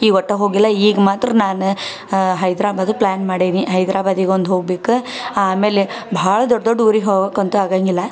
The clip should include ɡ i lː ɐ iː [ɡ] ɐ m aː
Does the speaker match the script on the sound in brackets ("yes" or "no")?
yes